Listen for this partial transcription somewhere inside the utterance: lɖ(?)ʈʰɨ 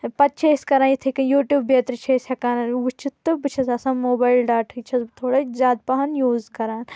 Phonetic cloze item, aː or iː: aː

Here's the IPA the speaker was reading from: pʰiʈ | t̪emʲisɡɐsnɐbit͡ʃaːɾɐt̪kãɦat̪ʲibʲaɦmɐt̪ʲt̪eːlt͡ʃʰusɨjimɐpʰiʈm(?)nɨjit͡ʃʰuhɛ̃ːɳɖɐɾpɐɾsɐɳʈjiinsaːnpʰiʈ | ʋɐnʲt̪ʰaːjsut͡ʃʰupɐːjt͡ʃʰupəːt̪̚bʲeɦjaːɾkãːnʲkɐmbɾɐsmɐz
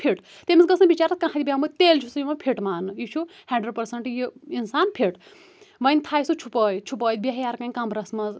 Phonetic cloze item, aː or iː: aː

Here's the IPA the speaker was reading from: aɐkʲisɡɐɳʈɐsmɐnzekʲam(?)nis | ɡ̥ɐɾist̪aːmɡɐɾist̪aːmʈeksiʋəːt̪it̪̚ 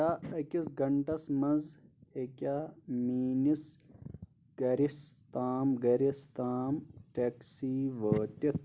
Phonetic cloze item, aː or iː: iː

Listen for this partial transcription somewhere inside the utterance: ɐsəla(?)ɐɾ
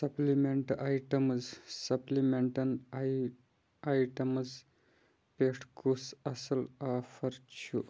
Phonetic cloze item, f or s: f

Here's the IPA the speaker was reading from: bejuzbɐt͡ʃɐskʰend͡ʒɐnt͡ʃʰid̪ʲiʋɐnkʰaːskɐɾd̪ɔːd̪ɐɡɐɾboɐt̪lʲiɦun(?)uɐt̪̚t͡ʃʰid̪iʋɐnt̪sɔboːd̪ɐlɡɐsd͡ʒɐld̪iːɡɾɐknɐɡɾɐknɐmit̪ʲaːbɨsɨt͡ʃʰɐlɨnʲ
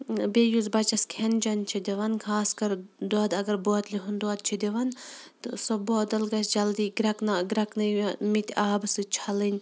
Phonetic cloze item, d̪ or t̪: d̪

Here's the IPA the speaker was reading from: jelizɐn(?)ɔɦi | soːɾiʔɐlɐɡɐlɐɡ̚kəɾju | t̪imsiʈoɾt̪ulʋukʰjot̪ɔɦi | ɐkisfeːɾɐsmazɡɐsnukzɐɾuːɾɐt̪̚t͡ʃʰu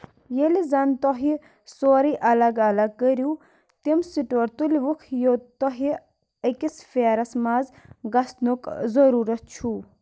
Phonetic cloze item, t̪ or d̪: t̪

